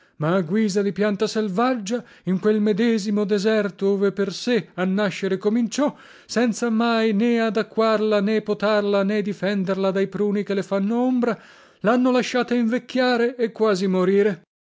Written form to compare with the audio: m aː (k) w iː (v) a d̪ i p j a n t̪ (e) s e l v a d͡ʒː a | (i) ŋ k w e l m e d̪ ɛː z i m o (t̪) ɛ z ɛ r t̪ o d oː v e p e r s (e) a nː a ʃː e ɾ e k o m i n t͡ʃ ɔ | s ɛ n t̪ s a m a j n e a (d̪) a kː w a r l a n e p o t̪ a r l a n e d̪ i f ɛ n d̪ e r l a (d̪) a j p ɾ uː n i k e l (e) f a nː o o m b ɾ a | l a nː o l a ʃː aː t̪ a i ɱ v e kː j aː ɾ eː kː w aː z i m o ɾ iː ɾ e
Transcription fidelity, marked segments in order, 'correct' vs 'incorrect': incorrect: ɡ, incorrect: z, incorrect: a, correct, incorrect: d̪, correct, correct, correct, correct

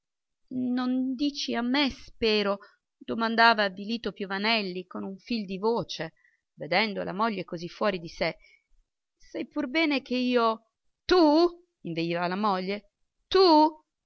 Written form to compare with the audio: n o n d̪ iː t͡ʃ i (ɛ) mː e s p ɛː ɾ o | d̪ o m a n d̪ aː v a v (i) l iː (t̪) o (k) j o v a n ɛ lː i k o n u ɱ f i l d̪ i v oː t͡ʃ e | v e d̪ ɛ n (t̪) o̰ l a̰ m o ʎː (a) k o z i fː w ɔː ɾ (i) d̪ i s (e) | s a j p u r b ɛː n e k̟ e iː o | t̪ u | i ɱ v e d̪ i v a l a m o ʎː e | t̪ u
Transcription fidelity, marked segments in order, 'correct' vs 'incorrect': incorrect: a, correct, correct, incorrect: p, incorrect: d̪, incorrect: e, correct, correct

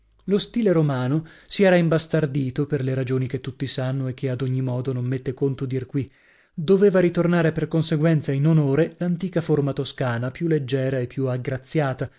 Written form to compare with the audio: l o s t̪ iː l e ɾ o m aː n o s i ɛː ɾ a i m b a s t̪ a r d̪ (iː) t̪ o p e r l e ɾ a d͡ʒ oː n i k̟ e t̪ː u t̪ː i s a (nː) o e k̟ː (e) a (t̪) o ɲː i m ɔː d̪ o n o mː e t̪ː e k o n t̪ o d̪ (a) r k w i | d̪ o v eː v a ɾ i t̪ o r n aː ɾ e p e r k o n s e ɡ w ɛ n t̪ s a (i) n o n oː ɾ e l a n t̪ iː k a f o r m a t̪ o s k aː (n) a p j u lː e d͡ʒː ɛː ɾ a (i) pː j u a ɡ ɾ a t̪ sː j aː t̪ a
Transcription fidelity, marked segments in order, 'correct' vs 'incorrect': correct, correct, correct, incorrect: d̪, incorrect: i, correct, correct, incorrect: e

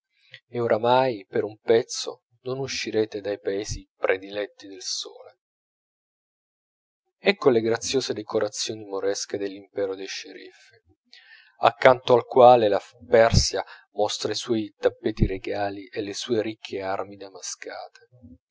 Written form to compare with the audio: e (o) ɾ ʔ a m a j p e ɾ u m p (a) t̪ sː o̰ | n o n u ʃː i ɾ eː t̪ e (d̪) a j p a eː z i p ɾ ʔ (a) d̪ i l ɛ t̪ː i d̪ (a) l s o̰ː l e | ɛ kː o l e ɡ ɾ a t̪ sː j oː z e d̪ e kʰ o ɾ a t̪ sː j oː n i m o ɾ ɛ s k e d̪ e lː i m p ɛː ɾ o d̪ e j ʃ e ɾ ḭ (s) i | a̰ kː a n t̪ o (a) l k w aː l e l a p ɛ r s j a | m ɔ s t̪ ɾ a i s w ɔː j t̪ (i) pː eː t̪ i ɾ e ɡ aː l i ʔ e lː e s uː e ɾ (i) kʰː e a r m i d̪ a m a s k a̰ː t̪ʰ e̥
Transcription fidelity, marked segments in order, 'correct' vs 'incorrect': correct, incorrect: ɛ, correct, incorrect: e, incorrect: e, incorrect: f, correct, incorrect: a, correct

